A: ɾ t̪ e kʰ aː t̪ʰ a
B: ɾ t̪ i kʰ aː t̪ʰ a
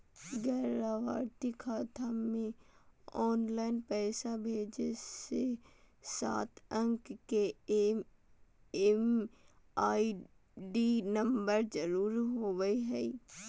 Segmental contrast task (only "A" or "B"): B